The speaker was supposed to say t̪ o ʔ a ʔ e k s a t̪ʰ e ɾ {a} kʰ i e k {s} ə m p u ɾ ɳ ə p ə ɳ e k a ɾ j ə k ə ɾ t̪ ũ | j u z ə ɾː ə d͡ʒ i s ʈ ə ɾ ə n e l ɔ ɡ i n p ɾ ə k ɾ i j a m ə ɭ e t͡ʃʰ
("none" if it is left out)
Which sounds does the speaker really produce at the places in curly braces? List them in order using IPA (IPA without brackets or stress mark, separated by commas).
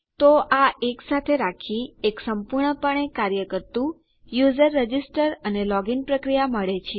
a, s